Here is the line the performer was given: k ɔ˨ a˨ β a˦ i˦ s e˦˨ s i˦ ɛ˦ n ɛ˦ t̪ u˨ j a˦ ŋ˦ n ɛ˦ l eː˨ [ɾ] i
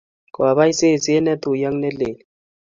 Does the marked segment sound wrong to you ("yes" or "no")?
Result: yes